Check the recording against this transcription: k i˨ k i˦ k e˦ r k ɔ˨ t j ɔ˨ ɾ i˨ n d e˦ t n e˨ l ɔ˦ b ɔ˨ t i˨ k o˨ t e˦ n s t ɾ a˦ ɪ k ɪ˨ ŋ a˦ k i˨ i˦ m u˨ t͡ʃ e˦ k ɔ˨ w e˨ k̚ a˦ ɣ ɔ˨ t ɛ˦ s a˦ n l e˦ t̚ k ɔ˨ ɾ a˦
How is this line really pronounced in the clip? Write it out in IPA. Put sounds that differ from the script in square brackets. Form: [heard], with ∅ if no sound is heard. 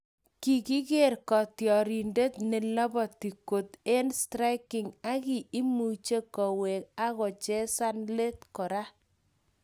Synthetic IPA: k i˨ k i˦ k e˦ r k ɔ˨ t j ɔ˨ ɾ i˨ n d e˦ t n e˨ l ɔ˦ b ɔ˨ t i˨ k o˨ t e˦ n s t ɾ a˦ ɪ k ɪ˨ ŋ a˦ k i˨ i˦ m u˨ t͡ʃ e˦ k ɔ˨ w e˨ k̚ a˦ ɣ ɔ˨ [t͡ʃ] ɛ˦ s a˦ n l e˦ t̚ k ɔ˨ ɾ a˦